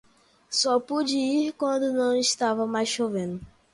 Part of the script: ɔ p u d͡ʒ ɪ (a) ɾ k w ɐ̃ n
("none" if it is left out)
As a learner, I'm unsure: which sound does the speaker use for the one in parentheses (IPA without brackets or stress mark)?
i